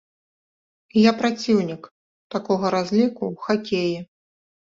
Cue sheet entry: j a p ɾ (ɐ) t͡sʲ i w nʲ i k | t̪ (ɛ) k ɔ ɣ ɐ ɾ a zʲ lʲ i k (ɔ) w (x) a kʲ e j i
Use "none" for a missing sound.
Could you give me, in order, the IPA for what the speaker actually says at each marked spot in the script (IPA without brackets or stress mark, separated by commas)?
a, a, u, x